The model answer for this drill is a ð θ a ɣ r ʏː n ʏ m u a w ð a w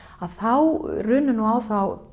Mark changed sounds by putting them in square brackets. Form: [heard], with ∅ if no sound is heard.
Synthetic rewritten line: a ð θ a [w] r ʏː n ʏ [n] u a w [θ] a w